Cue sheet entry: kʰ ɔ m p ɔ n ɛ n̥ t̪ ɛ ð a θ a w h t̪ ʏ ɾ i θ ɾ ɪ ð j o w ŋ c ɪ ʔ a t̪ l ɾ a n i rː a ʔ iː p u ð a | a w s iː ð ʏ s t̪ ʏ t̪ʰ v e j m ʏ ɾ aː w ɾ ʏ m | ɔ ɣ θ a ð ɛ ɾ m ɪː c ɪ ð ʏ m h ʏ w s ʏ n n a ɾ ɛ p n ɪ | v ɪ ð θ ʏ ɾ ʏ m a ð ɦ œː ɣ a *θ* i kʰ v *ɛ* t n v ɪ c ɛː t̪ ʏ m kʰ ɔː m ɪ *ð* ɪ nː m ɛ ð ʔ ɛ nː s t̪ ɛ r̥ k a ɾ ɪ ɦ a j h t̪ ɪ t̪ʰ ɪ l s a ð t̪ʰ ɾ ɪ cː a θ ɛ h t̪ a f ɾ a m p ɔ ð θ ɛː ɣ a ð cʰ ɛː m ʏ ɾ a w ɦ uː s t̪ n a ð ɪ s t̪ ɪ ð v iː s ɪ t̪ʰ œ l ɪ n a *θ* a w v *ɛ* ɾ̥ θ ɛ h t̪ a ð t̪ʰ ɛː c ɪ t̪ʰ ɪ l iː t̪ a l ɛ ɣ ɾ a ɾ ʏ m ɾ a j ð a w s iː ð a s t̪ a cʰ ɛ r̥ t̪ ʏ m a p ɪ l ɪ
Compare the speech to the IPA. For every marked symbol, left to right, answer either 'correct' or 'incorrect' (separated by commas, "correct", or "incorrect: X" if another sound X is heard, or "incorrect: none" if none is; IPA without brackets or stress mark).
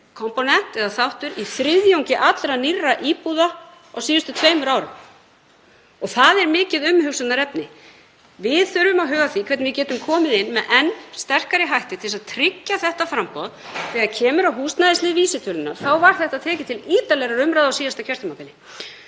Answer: correct, correct, correct, correct, incorrect: a